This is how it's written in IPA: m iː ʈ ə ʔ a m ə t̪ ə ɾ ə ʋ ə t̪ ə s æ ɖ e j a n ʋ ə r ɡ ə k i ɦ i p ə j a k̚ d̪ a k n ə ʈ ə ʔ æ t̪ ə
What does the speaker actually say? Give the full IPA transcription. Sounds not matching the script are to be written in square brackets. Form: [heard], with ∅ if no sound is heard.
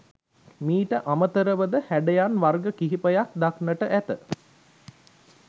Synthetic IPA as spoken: m iː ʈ ə ʔ a m ə t̪ ə ɾ ə ʋ ə [d̪] ə [h] æ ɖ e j a n ʋ [a] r ɡ ə k i ɦ i p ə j a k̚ d̪ a k n ə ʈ ə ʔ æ t̪ ə